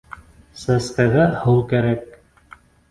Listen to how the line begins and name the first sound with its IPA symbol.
s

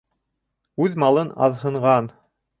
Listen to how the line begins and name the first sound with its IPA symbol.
ʉ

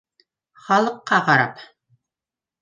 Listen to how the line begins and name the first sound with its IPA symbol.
χ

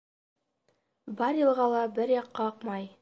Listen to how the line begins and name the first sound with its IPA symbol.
b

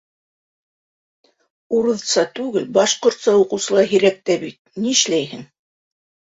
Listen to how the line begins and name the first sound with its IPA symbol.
u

